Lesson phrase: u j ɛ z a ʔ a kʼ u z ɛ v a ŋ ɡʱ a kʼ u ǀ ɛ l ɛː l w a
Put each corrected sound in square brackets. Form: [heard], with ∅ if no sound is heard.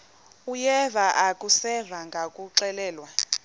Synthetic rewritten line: u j ɛ [v] a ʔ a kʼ u [s] ɛ v a ŋ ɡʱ a kʼ u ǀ ɛ l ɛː l w a